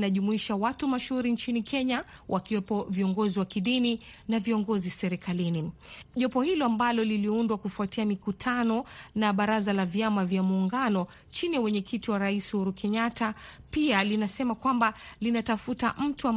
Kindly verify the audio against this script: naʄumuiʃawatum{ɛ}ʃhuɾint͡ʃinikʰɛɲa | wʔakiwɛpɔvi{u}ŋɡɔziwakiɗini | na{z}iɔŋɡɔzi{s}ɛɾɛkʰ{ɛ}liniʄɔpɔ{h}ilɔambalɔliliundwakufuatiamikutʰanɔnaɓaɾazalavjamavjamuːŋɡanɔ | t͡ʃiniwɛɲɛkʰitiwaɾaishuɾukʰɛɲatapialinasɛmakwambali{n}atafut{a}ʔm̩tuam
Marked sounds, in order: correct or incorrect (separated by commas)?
incorrect, incorrect, incorrect, correct, incorrect, correct, correct, correct